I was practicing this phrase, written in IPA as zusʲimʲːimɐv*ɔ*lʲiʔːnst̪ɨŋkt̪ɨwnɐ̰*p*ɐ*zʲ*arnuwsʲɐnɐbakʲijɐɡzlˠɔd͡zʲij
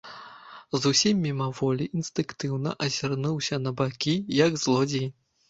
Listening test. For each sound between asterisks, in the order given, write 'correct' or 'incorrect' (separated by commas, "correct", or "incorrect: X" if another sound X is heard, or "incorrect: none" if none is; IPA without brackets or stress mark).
correct, incorrect: ʔ, correct